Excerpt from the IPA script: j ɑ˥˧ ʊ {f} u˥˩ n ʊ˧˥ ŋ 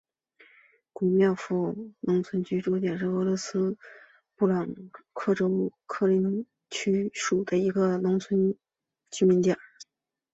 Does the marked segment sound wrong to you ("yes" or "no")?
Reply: no